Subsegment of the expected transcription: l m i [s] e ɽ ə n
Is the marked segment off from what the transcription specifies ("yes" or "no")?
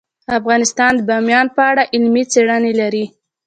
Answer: yes